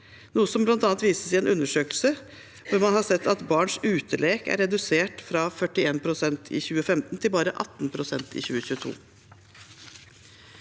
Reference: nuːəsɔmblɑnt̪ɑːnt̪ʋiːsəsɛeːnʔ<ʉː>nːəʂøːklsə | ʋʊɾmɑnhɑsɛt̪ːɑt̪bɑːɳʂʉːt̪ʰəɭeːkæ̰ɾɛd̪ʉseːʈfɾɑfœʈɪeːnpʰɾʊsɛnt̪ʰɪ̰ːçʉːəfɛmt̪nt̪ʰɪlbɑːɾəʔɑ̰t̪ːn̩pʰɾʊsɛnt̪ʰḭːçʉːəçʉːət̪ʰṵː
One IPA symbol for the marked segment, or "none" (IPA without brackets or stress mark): ʉ